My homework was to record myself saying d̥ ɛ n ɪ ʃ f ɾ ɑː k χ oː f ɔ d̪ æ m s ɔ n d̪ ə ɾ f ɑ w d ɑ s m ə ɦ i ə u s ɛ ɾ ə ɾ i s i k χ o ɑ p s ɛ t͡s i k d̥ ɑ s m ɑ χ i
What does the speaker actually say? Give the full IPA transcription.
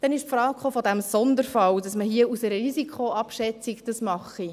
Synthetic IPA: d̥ ɛ n ɪ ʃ f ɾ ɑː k χ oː f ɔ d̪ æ m s ɔ n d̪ ə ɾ f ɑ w d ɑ s m ə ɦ i ə u s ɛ ɾ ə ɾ i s i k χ o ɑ p ʃ ɛ t͡s i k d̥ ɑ s m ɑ χ i

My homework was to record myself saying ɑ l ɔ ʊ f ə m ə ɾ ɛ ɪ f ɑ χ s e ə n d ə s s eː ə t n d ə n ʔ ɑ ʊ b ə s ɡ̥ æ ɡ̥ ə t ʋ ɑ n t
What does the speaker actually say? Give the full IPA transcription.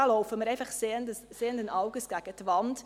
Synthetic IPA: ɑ l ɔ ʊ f ə m ə ɾ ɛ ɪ f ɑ χ s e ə n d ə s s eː ə n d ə n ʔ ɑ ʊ ɡ ə s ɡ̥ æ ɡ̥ ə t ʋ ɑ n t

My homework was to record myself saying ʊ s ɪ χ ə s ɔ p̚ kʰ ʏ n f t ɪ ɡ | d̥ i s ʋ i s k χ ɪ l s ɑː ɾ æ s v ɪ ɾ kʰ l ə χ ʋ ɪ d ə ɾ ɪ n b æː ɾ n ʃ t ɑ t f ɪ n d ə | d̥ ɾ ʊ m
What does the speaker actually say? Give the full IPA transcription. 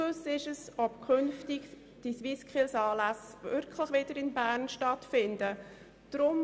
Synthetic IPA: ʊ s ɪ ʃ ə s ɔ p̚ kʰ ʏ n f t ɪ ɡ | d̥ i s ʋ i s k χ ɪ l s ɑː l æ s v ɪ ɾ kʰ l ə χ ʋ ɪ d ə ɾ ɪ n b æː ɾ n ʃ t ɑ t f ɪ n d ə | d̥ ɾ ʊ m

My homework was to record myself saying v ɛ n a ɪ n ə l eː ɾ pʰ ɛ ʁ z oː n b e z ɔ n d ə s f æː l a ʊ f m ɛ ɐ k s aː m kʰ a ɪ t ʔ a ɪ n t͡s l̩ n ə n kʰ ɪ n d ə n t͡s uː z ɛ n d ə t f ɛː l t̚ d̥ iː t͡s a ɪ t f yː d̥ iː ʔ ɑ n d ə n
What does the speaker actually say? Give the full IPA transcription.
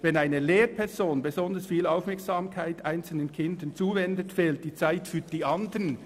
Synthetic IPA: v ɛ n a ɪ n ə l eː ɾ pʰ ɛ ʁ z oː n b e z ɔ n d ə s f iː l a ʊ f m ɛ ɐ k s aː m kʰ a ɪ t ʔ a ɪ n t͡s l̩ n ə n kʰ ɪ n d ə n t͡s uː v ɛ n d ə t f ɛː l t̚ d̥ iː t͡s a ɪ t f yː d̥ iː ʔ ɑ n d ə n

